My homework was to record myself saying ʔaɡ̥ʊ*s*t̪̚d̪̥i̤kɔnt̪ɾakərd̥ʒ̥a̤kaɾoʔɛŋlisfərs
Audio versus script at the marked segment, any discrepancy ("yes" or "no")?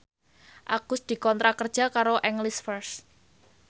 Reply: no